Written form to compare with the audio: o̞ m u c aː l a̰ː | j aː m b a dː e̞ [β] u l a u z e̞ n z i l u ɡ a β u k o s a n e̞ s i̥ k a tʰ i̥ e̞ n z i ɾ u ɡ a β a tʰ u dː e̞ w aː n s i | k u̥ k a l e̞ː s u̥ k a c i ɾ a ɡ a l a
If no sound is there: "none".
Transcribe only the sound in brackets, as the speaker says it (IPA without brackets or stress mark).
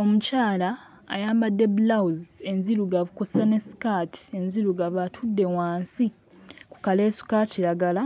b